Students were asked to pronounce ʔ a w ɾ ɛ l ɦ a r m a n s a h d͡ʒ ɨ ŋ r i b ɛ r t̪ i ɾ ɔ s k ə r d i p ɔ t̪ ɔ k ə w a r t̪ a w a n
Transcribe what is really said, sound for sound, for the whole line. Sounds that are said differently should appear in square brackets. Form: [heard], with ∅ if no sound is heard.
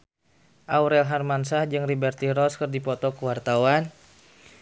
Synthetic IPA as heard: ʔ a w ɾ ɛ l ɦ a r m a n s a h d͡ʒ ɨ ŋ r i b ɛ r t̪ i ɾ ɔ s k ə r d i p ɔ t̪ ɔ k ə w a r t̪ a w a n